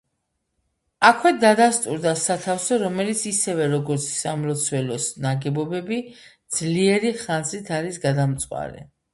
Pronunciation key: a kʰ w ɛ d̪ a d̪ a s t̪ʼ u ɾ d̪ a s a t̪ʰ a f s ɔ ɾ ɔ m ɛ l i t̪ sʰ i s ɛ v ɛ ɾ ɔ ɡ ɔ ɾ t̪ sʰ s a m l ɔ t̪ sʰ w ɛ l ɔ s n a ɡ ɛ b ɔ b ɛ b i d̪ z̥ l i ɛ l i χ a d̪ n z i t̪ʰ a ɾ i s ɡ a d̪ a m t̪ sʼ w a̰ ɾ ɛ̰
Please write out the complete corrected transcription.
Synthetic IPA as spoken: a kʰ w ɛ d̪ a d̪ a s t̪ʼ u ɾ d̪ a s a t̪ʰ a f s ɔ ɾ ɔ m ɛ l i t̪ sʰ i s ɛ v ɛ ɾ ɔ ɡ ɔ ɾ t̪ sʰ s a m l ɔ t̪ sʰ w ɛ l ɔ s n a ɡ ɛ b ɔ b ɛ b i d̪ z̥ l i ɛ ɾ i χ a n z i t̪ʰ a ɾ i s ɡ a d̪ a m t̪ sʼ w a̰ ɾ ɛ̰